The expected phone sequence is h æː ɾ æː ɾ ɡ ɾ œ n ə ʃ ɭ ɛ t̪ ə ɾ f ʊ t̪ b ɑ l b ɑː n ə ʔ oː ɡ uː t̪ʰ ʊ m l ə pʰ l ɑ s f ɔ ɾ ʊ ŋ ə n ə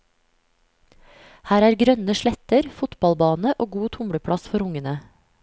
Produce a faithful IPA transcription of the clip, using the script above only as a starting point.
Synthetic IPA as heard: h æː ɾ æː ɾ ɡ ɾ œ n ə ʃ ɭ ɛ t̪ ə ɾ f ʊ t̪ b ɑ l b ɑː n ə ʔ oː ɡ uː t̪ʰ ʊ m ɽ ə pʰ ɽ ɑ s f ɔ ɾ ʊ ŋ ə n ə